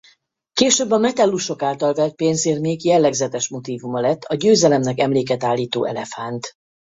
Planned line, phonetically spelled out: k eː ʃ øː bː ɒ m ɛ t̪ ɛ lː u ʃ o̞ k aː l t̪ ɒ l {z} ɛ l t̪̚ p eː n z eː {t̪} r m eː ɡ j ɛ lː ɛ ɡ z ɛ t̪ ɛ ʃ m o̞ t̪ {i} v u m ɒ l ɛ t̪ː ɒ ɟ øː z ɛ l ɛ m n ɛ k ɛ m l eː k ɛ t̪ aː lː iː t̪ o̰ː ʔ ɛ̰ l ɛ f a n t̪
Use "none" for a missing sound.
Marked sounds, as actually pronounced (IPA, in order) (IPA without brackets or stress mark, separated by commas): v, none, iː